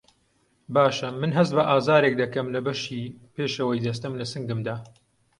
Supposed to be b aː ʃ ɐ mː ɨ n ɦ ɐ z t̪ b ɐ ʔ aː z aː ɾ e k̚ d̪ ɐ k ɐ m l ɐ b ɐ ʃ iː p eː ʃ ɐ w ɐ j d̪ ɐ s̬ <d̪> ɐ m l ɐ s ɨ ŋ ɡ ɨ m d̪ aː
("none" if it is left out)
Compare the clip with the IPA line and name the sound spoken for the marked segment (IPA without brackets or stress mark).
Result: t̪